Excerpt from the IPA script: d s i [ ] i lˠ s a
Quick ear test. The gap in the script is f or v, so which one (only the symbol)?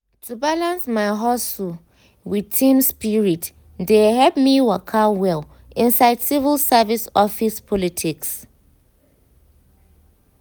v